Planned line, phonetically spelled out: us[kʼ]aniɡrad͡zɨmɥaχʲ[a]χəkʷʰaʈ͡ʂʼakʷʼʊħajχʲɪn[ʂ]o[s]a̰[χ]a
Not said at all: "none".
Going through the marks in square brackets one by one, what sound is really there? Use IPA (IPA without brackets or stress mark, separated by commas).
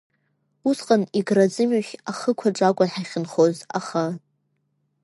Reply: qʼ, a, χ, z, χ